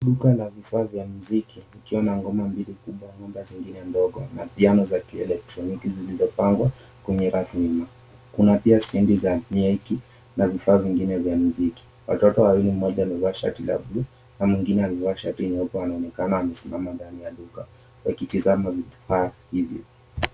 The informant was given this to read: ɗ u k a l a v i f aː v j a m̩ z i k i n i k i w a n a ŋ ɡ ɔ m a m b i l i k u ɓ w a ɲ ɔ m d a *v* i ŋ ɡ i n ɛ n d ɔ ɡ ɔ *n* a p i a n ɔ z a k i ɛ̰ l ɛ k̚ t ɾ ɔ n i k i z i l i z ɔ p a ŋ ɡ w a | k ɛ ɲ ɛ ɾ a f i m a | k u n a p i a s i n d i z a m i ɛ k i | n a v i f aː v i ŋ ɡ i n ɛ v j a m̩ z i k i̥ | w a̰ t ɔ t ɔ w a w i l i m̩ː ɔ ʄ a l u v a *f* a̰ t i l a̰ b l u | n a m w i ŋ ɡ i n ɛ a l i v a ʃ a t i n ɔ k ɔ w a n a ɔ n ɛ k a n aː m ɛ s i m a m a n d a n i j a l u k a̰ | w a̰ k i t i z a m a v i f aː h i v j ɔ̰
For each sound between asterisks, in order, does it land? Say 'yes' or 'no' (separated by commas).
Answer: no, yes, no